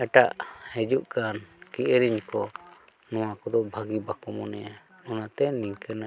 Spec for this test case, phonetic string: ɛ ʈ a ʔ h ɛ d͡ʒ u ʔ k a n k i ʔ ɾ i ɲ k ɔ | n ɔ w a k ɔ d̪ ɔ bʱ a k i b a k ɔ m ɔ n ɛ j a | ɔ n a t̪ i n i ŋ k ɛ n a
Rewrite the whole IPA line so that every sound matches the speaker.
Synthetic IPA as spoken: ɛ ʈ a ʔ h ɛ d͡ʒ u ʔ k a n k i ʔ ɾ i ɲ k ɔ | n ɔ w a k ɔ d̪ ɔ bʱ a ɡ i b a k ɔ m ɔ n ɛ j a | ɔ n a t̪ ɛ n i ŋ k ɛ n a